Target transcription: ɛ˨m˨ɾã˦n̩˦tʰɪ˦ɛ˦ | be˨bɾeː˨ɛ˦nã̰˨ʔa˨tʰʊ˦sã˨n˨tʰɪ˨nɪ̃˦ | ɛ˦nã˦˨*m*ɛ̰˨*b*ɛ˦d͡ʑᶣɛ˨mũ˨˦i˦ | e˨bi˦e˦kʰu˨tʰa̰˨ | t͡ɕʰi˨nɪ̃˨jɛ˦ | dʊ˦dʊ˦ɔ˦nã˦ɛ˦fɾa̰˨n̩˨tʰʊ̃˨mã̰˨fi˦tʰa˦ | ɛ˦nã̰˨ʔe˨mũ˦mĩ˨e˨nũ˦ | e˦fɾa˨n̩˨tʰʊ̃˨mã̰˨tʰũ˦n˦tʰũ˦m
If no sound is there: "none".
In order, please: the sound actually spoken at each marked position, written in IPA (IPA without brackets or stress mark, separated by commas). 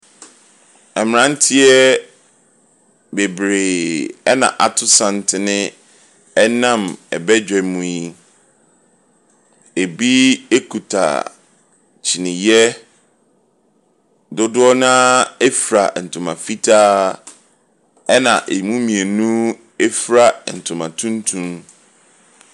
m, b